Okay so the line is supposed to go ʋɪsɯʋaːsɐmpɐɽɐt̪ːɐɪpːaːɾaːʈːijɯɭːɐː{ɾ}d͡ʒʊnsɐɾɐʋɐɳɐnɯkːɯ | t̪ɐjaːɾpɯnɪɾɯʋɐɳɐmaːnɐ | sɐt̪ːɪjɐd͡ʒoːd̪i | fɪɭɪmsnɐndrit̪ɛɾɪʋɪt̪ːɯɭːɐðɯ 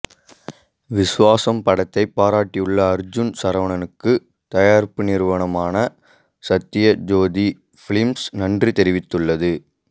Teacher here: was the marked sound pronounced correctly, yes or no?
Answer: yes